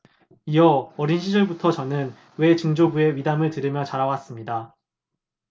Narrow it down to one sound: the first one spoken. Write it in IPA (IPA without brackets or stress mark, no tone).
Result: i